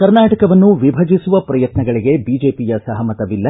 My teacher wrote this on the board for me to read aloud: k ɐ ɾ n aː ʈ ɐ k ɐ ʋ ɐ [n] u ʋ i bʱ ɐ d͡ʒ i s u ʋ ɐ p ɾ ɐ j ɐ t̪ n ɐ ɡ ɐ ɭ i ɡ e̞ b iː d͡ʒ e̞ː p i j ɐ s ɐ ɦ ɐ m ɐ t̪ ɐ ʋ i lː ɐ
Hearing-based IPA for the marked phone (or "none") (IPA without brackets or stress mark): nː